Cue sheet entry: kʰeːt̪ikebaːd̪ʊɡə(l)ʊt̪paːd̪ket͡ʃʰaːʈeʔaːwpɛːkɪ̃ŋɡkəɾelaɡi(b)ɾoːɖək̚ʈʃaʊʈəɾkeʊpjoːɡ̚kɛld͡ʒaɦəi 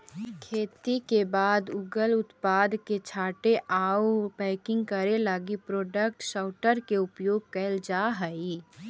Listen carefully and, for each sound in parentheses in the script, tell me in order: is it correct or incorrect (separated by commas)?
correct, incorrect